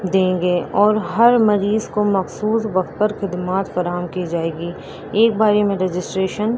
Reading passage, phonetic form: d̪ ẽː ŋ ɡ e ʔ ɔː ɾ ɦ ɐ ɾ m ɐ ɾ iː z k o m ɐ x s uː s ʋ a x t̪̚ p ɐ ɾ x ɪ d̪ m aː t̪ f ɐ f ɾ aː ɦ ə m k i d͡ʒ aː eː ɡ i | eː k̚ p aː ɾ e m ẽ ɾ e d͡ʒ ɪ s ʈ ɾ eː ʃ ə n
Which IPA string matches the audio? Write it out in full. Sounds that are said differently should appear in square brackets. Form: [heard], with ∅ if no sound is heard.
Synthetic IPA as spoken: d̪ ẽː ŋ ɡ e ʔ ɔː ɾ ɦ ɐ ɾ m ɐ ɾ iː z k o m ɐ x s uː s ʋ [ɐ] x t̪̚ p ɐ ɾ x ɪ d̪ m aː t̪ f ɐ [∅] ɾ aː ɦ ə m k i d͡ʒ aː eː ɡ i | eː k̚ [b] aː ɾ e m ẽ ɾ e d͡ʒ ɪ s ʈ ɾ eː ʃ ə n